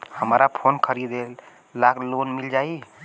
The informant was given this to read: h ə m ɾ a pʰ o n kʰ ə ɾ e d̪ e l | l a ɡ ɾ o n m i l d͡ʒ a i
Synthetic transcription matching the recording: h ə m ɾ a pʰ o n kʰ ə ɾ i d̪ e l | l a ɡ l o n m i l d͡ʒ a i